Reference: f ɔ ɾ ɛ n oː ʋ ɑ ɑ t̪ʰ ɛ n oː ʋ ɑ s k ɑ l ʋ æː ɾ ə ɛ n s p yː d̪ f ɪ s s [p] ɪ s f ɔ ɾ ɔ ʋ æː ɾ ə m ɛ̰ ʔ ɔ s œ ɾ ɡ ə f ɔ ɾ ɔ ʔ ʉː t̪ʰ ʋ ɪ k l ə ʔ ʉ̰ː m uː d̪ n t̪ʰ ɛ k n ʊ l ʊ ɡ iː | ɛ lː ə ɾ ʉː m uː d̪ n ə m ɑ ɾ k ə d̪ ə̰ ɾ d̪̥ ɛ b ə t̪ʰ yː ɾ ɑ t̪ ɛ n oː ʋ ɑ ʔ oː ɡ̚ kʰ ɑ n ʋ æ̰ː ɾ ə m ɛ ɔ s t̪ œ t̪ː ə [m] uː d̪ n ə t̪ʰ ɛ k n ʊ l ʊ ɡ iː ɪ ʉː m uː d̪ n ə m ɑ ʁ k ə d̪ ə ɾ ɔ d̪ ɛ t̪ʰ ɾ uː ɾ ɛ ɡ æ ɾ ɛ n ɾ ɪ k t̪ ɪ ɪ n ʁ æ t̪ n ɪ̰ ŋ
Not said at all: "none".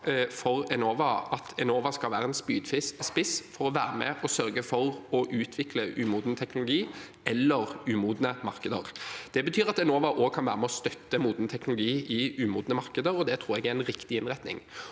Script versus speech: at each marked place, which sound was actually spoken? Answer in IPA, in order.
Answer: p, m

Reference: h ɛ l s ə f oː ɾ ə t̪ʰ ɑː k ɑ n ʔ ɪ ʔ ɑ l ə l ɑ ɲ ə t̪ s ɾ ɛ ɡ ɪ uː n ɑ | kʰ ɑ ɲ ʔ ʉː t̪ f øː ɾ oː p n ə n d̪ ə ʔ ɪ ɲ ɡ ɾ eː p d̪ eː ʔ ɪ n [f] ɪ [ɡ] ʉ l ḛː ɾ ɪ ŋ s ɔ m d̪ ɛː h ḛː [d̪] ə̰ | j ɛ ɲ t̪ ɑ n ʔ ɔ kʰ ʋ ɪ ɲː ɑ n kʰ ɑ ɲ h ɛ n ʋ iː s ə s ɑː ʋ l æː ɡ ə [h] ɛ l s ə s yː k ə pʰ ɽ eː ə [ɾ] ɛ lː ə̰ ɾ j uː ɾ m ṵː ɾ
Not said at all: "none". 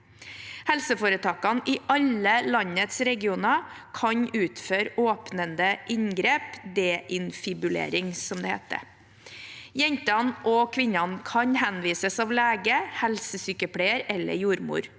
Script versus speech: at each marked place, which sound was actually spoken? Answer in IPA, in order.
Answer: f, b, t̪, h, ɾ

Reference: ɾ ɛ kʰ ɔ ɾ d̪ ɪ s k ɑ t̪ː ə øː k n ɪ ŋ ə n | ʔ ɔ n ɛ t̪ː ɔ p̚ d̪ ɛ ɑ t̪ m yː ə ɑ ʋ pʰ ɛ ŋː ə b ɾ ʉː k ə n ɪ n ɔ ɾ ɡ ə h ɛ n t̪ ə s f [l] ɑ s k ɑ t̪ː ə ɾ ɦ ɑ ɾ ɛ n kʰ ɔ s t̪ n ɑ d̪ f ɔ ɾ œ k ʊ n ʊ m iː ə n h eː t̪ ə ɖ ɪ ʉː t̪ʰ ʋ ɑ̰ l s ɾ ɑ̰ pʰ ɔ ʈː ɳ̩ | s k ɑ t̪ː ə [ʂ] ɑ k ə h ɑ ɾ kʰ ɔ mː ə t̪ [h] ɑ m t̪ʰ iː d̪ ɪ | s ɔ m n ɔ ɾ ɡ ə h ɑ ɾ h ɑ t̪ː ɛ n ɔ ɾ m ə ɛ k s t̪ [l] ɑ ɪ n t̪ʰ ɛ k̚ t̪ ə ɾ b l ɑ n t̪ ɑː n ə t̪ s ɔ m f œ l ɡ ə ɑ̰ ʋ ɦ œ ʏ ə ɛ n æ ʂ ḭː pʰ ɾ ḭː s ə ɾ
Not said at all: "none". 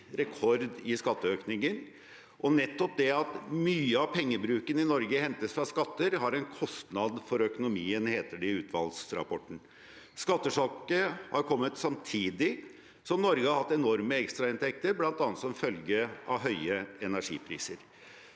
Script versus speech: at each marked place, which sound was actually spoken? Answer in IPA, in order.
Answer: ɾ, ʂ, s, ɾ

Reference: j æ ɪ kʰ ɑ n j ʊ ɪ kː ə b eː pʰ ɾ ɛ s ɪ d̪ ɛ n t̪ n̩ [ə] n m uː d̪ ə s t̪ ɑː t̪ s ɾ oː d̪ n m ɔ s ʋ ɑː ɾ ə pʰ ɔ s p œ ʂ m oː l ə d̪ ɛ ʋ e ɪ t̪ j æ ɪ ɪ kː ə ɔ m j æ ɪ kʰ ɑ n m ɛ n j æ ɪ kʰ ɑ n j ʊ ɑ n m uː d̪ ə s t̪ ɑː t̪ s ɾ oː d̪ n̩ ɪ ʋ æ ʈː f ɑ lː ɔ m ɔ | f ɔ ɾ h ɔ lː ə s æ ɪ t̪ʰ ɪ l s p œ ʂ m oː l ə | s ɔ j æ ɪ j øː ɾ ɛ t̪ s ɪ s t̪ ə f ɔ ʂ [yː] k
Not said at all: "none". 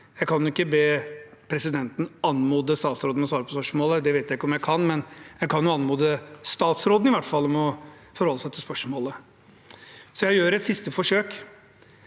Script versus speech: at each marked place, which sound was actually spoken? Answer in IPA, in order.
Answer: ɑ, øː

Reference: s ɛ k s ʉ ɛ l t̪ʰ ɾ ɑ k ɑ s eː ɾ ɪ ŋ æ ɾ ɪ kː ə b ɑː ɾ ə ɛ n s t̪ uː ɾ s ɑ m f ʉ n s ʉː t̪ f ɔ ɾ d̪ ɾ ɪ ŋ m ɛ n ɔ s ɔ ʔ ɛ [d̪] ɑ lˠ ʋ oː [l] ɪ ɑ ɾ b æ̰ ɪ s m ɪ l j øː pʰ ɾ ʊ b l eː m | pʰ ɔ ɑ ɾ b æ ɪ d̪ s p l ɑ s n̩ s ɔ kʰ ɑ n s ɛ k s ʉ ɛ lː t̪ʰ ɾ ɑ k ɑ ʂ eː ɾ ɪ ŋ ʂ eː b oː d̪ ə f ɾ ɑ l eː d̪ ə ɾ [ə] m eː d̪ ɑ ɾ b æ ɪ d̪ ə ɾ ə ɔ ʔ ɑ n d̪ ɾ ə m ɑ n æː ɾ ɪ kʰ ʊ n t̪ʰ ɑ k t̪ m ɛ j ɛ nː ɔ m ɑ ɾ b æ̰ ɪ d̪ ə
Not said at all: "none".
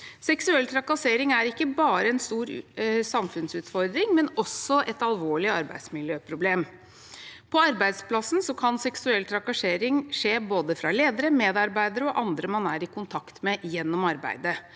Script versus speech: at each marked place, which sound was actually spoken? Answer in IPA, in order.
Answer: t̪, ɭ, ə

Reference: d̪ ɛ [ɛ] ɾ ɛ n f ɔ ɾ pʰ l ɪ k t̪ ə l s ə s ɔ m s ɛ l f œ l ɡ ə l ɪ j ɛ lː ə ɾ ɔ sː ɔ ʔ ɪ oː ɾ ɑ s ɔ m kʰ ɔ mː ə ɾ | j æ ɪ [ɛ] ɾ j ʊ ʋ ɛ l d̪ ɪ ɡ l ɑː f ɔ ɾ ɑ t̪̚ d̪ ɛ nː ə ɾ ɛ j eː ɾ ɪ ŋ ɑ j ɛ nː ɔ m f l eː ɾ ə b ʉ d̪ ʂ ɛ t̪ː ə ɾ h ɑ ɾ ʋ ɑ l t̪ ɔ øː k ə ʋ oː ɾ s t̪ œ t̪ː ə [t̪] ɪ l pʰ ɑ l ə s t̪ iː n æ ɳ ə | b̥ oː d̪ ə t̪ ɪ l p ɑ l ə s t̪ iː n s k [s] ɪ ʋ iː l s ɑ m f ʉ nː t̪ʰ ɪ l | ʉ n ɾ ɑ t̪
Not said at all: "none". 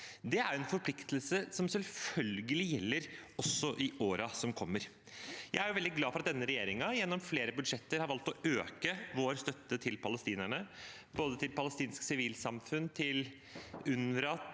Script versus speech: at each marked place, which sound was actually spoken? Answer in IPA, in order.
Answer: æ, æ, t̪ʰ, s

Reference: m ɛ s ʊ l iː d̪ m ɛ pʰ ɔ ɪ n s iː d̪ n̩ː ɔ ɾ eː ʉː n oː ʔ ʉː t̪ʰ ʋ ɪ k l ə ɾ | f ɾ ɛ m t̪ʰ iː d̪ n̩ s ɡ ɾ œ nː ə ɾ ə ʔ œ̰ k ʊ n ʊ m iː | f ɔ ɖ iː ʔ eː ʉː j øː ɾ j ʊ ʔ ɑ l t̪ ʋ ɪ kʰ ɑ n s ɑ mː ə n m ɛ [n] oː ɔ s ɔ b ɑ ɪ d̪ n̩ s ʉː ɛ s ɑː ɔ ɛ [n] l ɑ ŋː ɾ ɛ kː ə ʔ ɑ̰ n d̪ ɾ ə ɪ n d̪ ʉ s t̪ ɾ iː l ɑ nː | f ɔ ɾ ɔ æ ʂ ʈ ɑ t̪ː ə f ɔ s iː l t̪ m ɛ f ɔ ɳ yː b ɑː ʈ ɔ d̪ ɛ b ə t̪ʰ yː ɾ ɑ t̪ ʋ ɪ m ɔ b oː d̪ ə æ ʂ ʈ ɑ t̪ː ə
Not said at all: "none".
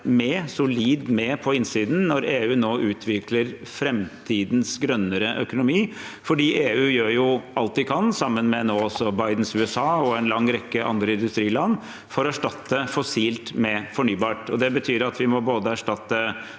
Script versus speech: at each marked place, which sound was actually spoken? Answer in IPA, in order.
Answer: n, n

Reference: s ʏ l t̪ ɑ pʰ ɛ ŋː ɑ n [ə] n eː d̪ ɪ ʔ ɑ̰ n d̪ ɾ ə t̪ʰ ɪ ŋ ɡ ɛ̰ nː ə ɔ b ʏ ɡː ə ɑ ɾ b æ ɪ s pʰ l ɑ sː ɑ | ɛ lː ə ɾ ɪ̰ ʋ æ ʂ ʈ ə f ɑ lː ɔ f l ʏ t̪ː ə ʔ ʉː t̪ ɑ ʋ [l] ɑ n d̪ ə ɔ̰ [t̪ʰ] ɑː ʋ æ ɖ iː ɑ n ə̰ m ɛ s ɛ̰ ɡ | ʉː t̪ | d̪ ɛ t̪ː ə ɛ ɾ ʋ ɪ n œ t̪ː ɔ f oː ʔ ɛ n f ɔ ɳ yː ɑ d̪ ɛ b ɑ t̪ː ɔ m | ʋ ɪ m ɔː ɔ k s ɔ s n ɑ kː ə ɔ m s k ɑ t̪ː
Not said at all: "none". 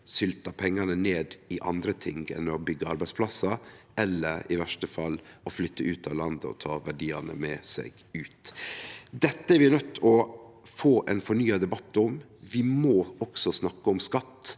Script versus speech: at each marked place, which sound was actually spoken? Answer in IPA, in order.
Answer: ə, l, t̪ʰ

